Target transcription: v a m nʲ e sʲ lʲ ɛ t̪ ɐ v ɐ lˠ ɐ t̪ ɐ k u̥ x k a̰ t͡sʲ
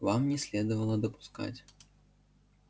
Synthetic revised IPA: v a m nʲ ɛ sʲ lʲ ɛ d̪ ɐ v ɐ lˠ ɐ d̪ ɐ p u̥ s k a̰ t͡sʲ